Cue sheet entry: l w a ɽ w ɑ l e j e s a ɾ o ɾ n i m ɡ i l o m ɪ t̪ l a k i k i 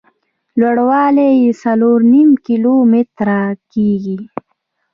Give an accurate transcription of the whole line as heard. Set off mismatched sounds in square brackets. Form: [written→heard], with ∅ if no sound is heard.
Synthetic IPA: l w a ɽ w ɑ l e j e s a [ɾ→l] o ɾ n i m [ɡ→k] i l o m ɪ t̪ [l→ɾ] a k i [k→ɡ] i